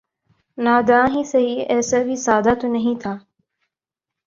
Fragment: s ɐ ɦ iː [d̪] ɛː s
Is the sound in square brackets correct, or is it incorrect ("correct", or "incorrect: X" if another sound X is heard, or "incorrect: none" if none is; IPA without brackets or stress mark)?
incorrect: none